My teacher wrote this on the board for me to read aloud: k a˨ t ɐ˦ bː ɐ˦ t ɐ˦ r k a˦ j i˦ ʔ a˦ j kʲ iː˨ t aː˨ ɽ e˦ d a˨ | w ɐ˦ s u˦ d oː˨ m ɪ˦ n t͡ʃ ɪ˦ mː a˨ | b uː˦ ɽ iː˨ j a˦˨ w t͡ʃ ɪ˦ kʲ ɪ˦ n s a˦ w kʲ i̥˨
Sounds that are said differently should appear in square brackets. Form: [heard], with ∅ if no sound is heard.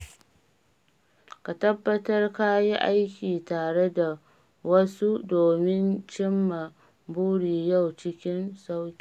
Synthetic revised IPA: k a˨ t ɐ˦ bː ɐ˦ t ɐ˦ r k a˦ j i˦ ʔ a˦ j kʲ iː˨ t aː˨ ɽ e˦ d a˨ | w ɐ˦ s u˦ d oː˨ m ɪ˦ n t͡ʃ ɪ˦ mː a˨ | b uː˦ ɽ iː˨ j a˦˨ w t͡ʃ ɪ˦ kʲ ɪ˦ n s a˦ w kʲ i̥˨

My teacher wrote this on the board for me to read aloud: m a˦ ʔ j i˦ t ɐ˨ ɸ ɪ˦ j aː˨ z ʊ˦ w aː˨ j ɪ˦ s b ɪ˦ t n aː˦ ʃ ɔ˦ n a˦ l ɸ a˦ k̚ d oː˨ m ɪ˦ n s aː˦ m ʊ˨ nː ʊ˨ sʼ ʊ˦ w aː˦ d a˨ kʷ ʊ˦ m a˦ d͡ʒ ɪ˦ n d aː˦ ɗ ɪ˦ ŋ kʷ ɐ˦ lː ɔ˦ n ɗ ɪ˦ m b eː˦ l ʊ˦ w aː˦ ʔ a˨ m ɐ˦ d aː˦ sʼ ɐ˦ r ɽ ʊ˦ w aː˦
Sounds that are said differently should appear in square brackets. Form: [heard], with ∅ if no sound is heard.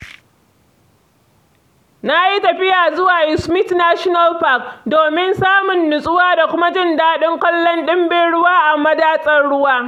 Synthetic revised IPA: [n] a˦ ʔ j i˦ t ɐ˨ ɸ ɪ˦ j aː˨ z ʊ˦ w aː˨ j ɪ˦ s [m] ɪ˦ t n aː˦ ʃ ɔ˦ n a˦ l ɸ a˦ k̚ d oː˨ m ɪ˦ n s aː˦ m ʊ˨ nː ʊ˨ sʼ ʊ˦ w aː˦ d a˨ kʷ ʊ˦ m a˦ d͡ʒ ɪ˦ n d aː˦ ɗ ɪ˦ ŋ kʷ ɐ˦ lː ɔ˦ n ɗ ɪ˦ m b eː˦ [ɽ] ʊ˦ w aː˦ ʔ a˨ m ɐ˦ d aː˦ sʼ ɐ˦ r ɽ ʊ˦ w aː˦

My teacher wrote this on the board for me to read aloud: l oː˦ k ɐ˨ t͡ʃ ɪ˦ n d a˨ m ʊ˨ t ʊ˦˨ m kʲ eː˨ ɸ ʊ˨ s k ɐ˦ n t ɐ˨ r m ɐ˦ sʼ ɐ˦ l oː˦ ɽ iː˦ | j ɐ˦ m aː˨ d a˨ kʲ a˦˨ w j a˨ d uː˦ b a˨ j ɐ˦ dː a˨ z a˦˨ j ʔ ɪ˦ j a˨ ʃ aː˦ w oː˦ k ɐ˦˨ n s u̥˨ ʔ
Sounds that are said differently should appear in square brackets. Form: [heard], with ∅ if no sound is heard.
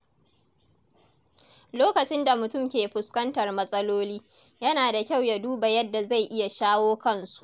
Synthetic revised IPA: l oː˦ k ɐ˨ t͡ʃ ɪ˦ n d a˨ m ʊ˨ t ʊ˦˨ m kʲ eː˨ ɸ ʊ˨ s k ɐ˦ n t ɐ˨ r m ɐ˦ sʼ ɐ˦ l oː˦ [l] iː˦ | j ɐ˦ [n] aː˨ d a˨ kʲ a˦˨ w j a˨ d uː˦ b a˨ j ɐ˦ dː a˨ z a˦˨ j ʔ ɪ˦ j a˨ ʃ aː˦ w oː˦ k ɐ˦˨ n s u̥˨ ʔ

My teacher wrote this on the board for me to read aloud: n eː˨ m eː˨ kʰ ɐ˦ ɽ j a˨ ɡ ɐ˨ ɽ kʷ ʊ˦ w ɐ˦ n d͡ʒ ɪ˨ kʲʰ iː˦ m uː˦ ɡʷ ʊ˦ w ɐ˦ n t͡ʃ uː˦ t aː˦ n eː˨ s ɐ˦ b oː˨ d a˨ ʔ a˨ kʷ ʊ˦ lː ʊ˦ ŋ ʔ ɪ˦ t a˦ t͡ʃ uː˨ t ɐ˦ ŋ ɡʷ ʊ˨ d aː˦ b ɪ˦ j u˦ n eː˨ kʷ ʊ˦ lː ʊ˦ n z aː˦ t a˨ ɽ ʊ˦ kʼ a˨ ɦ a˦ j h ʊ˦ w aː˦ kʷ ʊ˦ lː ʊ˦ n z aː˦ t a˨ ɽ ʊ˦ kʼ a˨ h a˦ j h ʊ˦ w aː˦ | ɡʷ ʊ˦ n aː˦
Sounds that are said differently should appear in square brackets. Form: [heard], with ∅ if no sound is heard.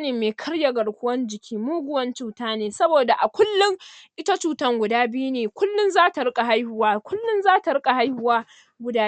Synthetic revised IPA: n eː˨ m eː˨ kʰ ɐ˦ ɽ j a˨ ɡ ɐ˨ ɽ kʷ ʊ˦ w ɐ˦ n d͡ʒ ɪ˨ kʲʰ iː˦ m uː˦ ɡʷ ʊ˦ w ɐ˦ n t͡ʃ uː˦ t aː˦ n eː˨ s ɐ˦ b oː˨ d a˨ ʔ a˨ kʷ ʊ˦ lː ʊ˦ ŋ ʔ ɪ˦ t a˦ t͡ʃ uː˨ t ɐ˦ ŋ ɡʷ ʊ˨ d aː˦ b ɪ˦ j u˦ n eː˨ kʷ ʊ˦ lː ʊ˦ n z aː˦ t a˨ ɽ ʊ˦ kʼ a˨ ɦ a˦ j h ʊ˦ w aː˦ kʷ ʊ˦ lː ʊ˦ n z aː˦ t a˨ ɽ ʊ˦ kʼ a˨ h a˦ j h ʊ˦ w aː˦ | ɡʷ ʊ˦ [d] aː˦

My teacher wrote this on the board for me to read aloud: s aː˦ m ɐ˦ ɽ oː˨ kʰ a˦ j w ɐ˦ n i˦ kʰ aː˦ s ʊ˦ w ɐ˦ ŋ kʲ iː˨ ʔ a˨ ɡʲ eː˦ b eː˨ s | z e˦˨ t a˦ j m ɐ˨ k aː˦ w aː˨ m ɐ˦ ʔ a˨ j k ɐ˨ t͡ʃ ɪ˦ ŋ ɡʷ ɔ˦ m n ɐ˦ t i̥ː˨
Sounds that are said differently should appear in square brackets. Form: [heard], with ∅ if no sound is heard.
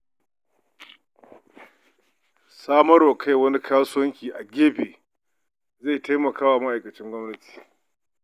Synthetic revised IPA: s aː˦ m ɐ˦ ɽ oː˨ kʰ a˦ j w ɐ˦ n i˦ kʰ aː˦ s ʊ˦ w ɐ˦ ŋ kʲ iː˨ ʔ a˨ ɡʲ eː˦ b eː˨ [∅] | z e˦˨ t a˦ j m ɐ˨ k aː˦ w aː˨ m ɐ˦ ʔ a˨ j k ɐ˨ t͡ʃ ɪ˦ ŋ ɡʷ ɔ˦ m n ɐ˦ t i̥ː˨

